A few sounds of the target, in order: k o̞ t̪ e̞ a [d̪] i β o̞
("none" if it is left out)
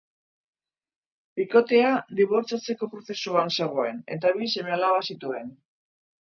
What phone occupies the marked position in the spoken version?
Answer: d̪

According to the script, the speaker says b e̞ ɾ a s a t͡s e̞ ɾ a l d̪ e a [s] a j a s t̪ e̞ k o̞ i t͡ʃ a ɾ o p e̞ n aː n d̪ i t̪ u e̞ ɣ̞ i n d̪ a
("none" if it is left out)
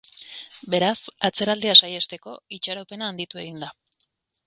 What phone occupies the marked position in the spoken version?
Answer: s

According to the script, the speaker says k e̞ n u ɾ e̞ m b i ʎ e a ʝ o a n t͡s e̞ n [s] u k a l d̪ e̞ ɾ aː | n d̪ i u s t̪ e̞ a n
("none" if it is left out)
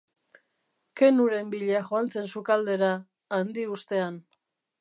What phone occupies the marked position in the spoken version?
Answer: s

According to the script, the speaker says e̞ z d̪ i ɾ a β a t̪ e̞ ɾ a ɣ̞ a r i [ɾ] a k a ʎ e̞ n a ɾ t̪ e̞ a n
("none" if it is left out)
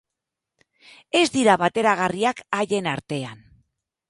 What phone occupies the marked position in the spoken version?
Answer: none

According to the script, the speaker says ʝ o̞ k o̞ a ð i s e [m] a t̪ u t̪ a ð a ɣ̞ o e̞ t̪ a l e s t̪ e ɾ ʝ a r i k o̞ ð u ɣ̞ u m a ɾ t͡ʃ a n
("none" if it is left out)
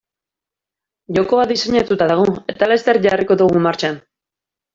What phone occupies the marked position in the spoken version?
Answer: ɲ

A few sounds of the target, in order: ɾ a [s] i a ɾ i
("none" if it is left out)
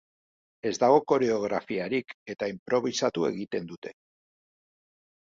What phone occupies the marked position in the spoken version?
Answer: f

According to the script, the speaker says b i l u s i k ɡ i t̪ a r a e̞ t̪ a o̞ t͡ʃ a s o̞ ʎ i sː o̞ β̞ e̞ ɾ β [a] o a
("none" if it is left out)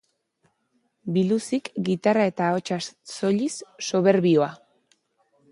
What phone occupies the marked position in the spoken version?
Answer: i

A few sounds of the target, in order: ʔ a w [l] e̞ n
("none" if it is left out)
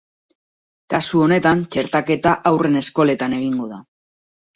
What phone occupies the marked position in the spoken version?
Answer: r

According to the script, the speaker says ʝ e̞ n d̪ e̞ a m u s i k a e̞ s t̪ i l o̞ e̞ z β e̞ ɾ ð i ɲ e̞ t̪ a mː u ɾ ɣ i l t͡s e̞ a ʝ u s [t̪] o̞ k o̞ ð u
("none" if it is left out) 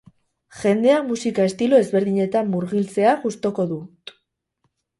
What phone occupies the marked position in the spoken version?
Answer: t̪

